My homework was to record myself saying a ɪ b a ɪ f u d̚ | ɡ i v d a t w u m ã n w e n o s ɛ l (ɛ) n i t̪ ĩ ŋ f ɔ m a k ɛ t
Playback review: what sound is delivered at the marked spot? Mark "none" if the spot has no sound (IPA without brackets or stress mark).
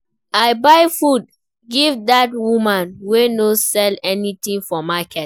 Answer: ɛ